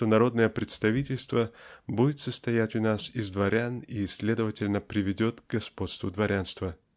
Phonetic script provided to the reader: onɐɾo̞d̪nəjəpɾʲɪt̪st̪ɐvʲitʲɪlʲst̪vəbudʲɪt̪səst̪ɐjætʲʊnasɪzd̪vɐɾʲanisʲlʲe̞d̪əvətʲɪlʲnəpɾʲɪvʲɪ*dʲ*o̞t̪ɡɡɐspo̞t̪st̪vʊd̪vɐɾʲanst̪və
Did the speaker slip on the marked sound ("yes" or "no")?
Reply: no